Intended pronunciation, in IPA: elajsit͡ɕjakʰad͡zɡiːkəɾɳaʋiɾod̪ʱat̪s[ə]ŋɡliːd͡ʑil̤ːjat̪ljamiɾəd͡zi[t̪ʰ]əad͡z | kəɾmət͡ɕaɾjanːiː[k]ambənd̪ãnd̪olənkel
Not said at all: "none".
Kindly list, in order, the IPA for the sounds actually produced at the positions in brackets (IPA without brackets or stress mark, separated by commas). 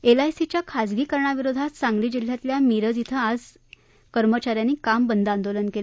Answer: a, t̪ʰ, k